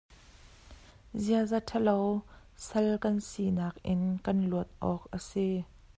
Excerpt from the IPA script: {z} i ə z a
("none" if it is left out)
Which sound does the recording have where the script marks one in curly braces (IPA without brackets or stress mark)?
z